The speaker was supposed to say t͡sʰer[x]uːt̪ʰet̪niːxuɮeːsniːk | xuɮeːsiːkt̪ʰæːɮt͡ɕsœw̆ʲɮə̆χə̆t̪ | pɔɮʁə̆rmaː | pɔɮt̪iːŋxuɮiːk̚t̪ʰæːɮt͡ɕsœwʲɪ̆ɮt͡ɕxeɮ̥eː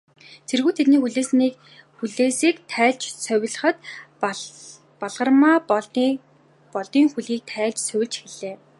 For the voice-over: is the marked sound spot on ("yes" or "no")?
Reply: no